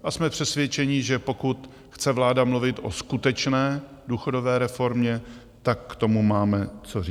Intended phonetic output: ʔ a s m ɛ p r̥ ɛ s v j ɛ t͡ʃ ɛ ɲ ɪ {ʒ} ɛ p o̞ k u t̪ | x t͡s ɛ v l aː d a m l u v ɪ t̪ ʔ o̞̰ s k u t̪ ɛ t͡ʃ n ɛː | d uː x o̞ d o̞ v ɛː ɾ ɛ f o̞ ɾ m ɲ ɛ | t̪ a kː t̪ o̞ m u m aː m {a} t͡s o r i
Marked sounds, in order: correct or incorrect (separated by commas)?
correct, incorrect